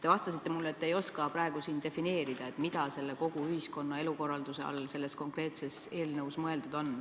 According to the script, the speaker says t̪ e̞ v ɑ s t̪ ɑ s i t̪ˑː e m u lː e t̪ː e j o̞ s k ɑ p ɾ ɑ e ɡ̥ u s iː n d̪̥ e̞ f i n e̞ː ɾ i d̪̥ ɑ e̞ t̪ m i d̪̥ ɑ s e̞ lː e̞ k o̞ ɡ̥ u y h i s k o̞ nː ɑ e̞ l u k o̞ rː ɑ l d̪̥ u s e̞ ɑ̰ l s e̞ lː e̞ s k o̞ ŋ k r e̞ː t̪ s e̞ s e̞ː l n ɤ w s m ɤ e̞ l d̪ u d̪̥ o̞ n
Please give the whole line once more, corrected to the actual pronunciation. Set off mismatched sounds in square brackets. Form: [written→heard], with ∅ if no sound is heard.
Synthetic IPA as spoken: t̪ e̞ v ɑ s t̪ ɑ s i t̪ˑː e m u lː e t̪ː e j o̞ s k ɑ p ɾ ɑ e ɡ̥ u s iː n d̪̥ e̞ f i n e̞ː ɾ i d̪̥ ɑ e̞ t̪ m i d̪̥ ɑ s e̞ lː e̞ k o̞ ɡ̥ u y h i s k o̞ nː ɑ e̞ l u k o̞ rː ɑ l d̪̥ u s e̞ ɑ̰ l s e̞ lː e̞ s k o̞ ŋ k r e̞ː t̪ s e̞ s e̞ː l n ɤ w s m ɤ e̞ l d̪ u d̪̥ o̞ n

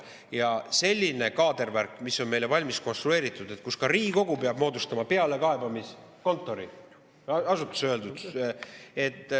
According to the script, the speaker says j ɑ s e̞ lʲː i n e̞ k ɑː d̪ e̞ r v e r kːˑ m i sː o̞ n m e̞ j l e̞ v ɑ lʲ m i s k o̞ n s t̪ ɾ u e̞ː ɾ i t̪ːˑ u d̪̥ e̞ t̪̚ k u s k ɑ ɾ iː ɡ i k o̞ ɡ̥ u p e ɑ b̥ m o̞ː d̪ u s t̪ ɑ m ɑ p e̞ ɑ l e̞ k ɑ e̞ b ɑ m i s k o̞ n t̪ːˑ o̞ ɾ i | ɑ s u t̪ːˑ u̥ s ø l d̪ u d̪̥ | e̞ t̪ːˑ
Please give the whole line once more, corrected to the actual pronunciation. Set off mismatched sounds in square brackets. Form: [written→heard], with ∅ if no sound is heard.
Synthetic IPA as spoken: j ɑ s e̞ lʲː i n e̞ k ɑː d̪ e̞ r v [e→æ] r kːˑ m i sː o̞ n m e̞ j l e̞ v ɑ lʲ m i s k o̞ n s t̪ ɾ u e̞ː ɾ i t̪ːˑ u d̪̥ e̞ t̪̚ k u s k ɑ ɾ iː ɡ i k o̞ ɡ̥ u p e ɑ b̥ m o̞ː d̪ u s t̪ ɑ m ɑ p e̞ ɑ l e̞ k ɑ e̞ b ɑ m i s k o̞ n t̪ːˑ o̞ ɾ i | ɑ s u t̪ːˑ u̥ s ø l d̪ u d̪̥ | e̞ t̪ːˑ

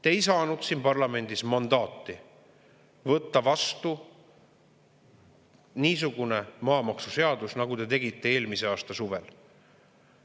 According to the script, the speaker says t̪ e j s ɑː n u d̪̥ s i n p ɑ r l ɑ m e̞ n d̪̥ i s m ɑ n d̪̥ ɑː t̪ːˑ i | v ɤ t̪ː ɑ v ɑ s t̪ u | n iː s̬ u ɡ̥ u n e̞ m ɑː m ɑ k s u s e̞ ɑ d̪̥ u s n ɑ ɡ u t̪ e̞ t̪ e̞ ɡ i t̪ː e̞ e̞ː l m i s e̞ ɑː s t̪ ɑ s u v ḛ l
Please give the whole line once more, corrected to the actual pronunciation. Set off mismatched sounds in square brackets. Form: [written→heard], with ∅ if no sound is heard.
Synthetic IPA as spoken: t̪ e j s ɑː n u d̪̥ s i n p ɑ r l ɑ m e̞ n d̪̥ i s m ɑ n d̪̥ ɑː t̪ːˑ i | v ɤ t̪ː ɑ v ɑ s t̪ u | n iː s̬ u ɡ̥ u n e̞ m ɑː m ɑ k s u s e̞ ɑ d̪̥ u s n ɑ ɡ u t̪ e̞ t̪ e̞ ɡ i t̪ː e̞ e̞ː l m i s e̞ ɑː s t̪ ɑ s u v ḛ l

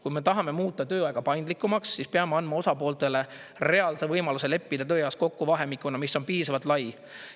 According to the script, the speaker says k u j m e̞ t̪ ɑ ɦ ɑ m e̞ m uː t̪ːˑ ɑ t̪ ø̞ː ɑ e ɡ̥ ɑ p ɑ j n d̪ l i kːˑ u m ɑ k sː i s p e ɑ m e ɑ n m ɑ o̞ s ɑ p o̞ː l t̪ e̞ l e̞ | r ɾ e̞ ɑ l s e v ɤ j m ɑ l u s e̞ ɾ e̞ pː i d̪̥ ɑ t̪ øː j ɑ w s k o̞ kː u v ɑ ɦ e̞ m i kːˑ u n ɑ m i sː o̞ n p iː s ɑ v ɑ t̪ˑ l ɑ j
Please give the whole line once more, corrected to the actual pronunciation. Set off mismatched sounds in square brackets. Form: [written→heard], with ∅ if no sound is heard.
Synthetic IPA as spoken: k u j m e̞ t̪ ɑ ɦ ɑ m e̞ m uː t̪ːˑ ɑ t̪ ø̞ː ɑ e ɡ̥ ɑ p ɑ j n d̪ l i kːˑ u m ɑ k sː i s p e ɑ m e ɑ n m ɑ o̞ s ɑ p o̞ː l t̪ e̞ l e̞ | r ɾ e̞ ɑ l s e v ɤ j m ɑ l u s e̞ [ɾ→l] e̞ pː i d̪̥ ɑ t̪ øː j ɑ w s k o̞ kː u v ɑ ɦ e̞ m i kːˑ u n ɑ m i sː o̞ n p iː s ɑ v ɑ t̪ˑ l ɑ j

